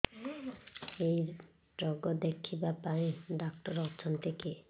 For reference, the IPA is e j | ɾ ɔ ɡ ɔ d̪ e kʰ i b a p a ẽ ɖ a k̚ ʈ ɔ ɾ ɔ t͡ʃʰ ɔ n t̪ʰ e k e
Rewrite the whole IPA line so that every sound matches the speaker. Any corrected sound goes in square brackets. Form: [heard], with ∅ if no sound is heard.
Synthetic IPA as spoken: e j | ɾ ɔ ɡ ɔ d̪ e kʰ i b a p a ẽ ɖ a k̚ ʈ ɔ ɾ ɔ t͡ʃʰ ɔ n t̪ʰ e k e